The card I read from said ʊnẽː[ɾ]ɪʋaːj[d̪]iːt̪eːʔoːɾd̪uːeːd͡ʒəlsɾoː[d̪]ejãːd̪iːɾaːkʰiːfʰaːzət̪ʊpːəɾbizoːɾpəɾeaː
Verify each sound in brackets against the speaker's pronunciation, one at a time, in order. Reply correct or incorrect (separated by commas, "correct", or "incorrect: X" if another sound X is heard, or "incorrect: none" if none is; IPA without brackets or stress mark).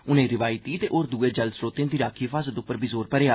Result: correct, incorrect: t̪, incorrect: t̪